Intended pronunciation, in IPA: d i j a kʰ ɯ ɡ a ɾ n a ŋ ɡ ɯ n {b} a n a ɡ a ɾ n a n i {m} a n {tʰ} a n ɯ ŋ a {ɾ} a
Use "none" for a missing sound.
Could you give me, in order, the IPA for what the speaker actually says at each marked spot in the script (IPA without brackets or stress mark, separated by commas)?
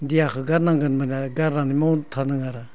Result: m, m, tʰ, ɾ